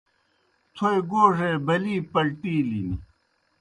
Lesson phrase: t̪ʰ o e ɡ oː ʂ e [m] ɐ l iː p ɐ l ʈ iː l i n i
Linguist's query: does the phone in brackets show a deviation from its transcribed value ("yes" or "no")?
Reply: yes